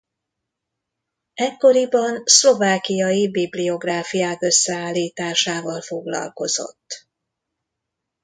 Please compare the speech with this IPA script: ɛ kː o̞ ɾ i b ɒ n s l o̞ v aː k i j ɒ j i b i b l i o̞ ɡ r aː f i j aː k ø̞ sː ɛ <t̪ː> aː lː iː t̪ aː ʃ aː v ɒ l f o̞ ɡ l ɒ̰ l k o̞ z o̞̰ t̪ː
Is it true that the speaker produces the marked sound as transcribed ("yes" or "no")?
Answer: no